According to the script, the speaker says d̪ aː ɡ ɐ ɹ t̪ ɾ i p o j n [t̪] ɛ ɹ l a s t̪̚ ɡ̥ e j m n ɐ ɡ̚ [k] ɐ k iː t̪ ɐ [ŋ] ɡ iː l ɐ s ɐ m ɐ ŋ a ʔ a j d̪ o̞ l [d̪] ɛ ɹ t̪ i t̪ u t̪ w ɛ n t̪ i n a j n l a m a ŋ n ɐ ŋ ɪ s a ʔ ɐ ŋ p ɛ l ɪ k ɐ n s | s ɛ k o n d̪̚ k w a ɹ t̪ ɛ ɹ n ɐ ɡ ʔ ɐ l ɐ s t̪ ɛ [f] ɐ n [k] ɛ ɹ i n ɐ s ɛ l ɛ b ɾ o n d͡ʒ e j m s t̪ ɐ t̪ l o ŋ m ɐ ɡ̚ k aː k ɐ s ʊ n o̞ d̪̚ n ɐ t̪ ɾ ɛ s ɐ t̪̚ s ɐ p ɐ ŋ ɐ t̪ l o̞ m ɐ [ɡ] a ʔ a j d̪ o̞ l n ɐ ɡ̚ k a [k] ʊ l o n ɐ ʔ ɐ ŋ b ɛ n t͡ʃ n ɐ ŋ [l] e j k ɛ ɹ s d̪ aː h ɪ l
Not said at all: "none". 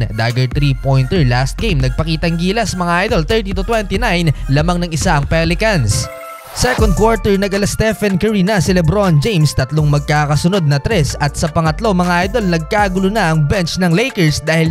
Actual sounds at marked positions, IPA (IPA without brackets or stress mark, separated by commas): t̪, p, ŋ, t̪, f, k, ŋ, ɡ, l